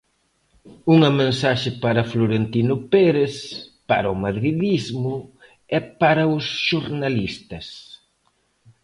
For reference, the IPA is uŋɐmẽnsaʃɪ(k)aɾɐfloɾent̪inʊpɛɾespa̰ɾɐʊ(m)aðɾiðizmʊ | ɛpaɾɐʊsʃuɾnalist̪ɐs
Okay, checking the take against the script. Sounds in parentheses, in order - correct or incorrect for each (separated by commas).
incorrect, correct